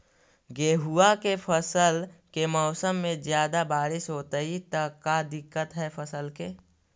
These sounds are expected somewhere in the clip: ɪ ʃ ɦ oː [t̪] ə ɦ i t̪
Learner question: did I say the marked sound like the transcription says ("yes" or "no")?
yes